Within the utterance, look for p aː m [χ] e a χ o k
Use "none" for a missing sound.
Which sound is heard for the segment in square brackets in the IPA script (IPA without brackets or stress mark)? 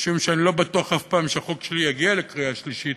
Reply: ʃ